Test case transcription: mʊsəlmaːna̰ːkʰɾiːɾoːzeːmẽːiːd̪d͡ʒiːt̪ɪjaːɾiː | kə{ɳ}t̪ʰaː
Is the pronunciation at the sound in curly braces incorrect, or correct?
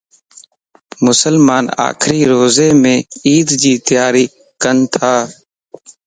incorrect